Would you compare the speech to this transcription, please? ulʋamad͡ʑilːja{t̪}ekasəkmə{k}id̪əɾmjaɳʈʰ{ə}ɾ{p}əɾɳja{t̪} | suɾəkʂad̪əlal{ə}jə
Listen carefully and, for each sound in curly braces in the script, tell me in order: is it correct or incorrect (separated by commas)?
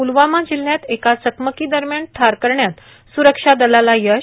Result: correct, correct, incorrect, incorrect, correct, incorrect